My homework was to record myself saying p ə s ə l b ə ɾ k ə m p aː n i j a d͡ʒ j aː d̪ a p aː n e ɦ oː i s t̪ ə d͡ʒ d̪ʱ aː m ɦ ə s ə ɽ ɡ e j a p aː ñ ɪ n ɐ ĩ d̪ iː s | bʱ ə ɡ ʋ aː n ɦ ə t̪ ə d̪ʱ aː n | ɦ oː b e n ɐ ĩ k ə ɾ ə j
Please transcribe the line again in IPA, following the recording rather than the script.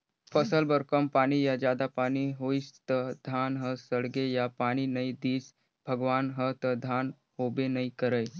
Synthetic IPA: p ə s ə l b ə ɾ k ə m p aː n i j a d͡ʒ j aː d̪ a p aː n i ɦ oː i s t̪ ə d̪ʱ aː n ɦ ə s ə ɽ ɡ e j a p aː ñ i n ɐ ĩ d̪ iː s | bʱ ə ɡ ʋ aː n ɦ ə t̪ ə d̪ʱ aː n | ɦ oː b e n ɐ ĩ k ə ɾ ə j